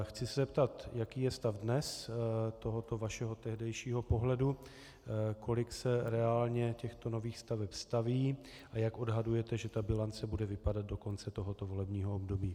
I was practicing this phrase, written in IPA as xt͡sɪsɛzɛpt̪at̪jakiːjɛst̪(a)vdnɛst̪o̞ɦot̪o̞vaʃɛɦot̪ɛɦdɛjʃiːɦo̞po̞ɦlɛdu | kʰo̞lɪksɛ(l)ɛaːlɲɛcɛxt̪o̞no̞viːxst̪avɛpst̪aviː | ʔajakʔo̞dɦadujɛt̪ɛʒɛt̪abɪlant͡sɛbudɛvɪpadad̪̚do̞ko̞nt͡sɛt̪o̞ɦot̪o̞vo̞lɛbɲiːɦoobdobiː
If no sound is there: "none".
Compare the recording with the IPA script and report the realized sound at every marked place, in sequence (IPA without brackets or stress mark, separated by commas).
a, ɾ